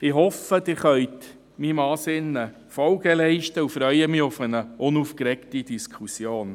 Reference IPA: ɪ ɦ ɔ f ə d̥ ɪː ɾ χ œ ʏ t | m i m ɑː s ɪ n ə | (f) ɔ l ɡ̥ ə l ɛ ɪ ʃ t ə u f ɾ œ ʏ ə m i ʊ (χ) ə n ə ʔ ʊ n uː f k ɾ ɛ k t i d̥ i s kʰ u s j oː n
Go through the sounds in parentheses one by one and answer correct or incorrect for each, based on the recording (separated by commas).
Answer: correct, incorrect